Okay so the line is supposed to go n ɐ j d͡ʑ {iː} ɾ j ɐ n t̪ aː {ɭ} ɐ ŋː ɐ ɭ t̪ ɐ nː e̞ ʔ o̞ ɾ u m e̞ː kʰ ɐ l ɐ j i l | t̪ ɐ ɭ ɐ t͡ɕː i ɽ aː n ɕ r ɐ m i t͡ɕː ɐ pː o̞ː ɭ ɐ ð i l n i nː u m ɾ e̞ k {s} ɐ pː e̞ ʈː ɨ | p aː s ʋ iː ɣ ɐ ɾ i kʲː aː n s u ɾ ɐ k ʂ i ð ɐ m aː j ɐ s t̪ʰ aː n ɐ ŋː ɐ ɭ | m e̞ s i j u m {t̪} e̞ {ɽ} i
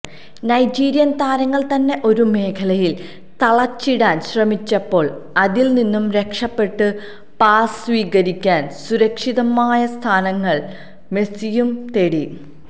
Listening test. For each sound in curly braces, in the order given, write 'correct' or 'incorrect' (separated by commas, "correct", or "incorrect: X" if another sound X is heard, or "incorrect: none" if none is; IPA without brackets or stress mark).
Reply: correct, incorrect: ɾ, incorrect: ʂ, correct, correct